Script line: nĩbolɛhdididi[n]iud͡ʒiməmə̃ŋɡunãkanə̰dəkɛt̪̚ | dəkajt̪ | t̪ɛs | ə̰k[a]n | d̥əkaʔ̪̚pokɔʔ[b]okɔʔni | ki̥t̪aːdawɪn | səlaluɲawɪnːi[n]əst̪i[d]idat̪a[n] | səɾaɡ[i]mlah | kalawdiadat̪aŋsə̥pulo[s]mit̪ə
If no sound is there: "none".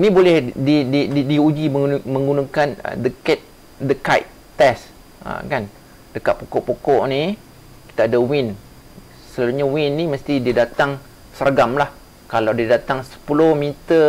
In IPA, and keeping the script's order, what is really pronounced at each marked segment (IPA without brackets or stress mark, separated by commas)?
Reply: d, a, p, m, d, ŋ, a, h